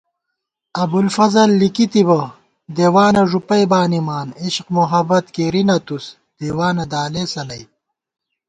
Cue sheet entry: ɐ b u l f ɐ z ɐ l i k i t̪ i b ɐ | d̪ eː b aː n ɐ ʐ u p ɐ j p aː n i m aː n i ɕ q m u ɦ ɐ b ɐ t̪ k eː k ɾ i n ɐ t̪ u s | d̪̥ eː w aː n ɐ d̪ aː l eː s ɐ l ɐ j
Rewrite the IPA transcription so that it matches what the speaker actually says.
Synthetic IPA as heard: ɐ b u l f ɐ z ɐ lː i k i t̪ i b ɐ | d̪ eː w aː n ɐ ʐ u p ɐ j b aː n i m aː n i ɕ q m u ɦ ɐ b ɐ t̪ k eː ɾ i n ɐ t̪ u s | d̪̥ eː w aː n ɐ d̪ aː l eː s ɐ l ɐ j